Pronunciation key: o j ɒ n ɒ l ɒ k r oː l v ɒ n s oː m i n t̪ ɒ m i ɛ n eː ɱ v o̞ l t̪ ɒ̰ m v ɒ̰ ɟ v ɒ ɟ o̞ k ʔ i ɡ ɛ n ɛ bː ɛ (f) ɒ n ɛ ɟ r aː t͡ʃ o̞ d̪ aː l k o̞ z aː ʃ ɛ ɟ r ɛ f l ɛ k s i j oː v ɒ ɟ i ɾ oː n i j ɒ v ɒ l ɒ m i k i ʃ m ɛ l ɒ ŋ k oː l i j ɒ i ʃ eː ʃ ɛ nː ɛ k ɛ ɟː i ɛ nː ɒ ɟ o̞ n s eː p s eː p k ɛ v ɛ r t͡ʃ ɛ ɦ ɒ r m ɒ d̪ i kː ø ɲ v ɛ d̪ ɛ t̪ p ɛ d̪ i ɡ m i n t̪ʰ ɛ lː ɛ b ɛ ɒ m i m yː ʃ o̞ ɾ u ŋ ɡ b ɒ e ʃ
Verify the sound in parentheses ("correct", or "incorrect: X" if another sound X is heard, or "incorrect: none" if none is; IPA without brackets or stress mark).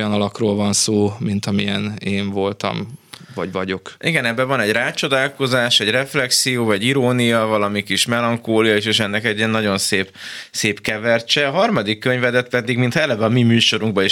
incorrect: v